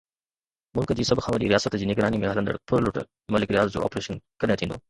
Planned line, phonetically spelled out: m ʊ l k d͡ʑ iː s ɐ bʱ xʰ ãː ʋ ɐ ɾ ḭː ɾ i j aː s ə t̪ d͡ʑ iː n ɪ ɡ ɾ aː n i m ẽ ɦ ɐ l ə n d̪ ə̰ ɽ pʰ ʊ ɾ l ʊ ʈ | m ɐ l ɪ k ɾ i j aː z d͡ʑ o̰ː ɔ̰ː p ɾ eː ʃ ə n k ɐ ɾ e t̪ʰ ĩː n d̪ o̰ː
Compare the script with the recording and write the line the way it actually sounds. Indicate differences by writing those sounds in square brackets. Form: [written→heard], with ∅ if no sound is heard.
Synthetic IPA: m ʊ l k d͡ʑ iː s ɐ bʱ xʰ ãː ʋ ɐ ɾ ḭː ɾ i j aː s ə t̪ d͡ʑ iː n ɪ ɡ ɾ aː n i m ẽ ɦ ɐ l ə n d̪ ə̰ ɽ pʰ ʊ ɾ l ʊ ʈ | m ɐ l ɪ k ɾ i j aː z d͡ʑ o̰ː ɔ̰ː p ɾ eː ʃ ə n k ɐ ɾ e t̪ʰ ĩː n d̪ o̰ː